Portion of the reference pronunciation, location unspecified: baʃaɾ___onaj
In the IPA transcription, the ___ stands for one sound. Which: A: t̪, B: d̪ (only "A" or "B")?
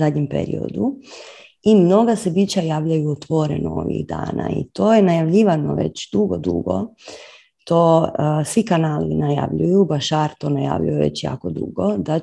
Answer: A